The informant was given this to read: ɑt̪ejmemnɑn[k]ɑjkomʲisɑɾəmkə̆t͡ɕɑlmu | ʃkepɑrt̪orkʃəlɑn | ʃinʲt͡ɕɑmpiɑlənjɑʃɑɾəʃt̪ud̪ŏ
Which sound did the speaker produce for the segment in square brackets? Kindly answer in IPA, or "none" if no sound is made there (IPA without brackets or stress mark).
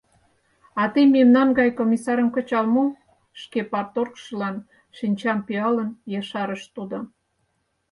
ɡ